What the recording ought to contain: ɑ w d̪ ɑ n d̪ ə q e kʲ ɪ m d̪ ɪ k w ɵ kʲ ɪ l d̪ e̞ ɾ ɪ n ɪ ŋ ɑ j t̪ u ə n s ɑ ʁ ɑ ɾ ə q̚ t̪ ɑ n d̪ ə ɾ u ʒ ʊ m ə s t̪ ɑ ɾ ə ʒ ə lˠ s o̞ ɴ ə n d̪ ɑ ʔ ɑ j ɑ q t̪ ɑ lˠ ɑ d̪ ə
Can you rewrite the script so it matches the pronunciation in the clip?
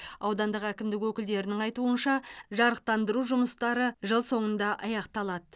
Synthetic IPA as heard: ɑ w d̪ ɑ n d̪ ə q æ kʲ ɪ m d̪ ɪ k w ɵ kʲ ɪ l d̪ e̞ ɾ ɪ n ɪ ŋ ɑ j t̪ u ə n ʃ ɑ ʒ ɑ ɾ ə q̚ t̪ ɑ n d̪ ə ɾ u ʒ ʊ m ə s t̪ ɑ ɾ ə ʒ ə lˠ s o̞ ɴ ə n d̪ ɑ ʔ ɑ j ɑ q t̪ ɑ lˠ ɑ d̪ ə

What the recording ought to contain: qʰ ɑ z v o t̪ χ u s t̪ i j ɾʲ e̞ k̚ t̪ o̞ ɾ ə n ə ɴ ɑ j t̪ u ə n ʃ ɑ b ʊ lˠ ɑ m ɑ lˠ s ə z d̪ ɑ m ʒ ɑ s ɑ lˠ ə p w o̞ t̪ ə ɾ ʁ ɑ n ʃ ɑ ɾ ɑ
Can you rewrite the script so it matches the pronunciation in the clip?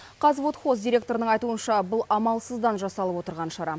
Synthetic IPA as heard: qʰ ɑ z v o t̪ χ o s d̪ i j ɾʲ e̞ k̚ t̪ o̞ ɾ ə n ə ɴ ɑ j t̪ u ə n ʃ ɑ b ʊ lˠ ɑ m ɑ lˠ s ə z d̪ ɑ n ʒ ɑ s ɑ lˠ ə p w o̞ t̪ ə ɾ ʁ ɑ n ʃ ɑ ɾ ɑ

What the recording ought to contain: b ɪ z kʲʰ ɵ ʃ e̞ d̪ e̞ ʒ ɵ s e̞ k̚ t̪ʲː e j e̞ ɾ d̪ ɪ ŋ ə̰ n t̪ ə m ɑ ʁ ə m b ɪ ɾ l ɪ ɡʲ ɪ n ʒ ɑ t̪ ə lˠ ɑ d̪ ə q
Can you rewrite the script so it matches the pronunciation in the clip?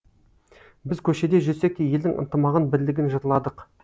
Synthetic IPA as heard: b ɪ z kʲʰ ɵ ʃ e̞ d̪ e̞ ʒ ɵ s e̞ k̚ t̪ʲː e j e̞ l d̪ ɪ ŋ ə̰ n t̪ ə m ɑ ʁ ə n b ɪ ɾ l ɪ ɡʲ ɪ n ʒ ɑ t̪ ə lˠ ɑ d̪ ə q

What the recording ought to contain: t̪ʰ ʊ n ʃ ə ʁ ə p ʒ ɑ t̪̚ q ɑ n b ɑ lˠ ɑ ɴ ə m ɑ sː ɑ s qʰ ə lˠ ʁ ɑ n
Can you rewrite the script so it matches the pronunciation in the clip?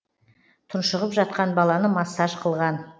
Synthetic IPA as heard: t̪ʰ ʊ n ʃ ə ʁ ə p ʒ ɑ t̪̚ q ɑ n b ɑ lˠ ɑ n ə m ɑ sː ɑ ʃ qʰ ə lˠ ʁ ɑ n

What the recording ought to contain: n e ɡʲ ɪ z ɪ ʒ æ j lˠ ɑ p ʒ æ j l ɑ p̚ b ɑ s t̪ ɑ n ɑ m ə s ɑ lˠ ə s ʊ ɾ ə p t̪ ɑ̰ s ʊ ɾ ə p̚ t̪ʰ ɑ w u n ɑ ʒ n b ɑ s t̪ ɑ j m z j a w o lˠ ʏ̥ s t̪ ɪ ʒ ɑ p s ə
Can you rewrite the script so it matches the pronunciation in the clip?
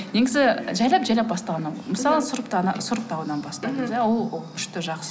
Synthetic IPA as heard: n e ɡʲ ɪ z ɪ ʒ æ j lˠ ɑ p ʒ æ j l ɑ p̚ b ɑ s t̪ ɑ n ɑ m ə s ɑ lˠ ə s ʊ ɾ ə p t̪ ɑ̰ s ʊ ɾ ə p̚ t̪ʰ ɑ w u n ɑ n b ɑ s t̪ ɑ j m z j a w o lˠ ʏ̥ ʃ t̪ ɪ ʒ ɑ q s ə

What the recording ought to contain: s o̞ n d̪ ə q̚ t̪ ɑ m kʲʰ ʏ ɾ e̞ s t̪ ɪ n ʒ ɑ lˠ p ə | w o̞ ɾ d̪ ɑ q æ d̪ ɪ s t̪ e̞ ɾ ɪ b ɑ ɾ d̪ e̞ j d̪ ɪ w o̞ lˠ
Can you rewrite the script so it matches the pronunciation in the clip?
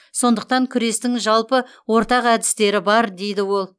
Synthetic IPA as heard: s o̞ n d̪ ə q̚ t̪ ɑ ŋ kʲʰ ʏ ɾ e̞ s t̪ ɪ ŋ ʒ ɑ lˠ p ə | w o̞ ɾ t̪ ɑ q æ d̪ ɪ s t̪ e̞ ɾ ɪ b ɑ ɾ d̪ e̞ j d̪ ɪ w o̞ lˠ

